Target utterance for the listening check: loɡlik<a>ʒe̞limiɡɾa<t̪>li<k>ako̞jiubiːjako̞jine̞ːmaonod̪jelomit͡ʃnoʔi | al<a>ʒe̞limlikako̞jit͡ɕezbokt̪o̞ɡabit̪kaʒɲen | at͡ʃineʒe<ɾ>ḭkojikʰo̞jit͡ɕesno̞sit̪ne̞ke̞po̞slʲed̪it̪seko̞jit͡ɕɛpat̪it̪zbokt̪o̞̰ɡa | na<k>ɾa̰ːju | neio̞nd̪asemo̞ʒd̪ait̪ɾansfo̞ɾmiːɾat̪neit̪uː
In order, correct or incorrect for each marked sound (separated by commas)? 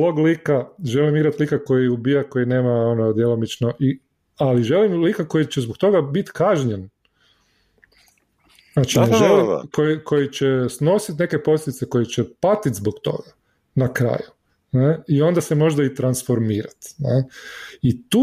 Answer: correct, correct, correct, incorrect, incorrect, correct